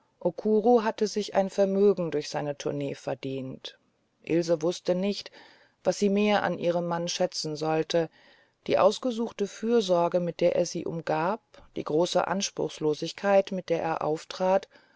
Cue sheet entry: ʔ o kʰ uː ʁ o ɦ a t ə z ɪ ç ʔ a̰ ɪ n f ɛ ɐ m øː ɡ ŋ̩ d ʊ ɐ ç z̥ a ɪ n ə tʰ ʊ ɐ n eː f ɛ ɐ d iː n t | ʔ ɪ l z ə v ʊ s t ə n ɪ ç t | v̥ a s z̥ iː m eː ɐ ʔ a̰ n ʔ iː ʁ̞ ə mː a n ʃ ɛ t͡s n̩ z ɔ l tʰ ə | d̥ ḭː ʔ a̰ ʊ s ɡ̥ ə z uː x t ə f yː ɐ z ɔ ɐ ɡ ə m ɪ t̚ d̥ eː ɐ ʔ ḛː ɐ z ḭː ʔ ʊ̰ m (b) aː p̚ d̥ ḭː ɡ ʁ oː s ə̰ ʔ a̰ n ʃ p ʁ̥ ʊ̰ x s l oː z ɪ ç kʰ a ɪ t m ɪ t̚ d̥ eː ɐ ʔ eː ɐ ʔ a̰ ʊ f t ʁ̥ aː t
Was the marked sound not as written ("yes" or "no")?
yes